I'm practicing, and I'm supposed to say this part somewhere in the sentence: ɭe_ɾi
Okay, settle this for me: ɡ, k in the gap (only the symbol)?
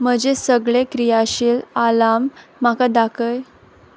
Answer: k